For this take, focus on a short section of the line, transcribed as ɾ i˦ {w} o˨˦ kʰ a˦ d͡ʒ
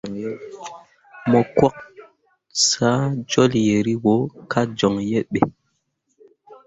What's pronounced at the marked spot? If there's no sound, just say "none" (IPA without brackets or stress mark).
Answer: w